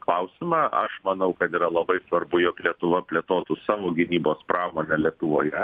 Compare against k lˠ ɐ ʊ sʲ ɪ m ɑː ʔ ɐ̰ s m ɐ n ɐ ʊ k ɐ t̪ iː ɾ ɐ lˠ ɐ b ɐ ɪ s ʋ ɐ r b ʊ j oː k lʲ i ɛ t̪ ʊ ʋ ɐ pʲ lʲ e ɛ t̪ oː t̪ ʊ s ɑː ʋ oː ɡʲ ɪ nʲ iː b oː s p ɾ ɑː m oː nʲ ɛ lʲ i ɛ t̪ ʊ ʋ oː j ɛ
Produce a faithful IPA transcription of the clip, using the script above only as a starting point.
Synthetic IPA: k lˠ ɐ ʊ sʲ ɪ m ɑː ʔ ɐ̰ ʃ m ɐ n ɐ ʊ k ɐ t̪ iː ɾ ɐ lˠ ɐ b ɐ ɪ s ʋ ɐ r b ʊ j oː k lʲ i ɛ t̪ ʊ ʋ ɐ pʲ lʲ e ɛ t̪ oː t̪ ʊ s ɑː ʋ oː ɡʲ ɪ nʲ iː b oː s p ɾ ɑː m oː nʲ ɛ lʲ i ɛ t̪ ʊ ʋ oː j ɛ